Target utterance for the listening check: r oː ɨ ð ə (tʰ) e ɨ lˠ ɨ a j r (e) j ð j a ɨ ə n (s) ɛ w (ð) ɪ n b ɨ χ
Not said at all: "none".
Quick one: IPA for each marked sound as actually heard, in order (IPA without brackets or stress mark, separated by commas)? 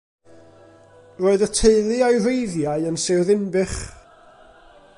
tʰ, e, s, ð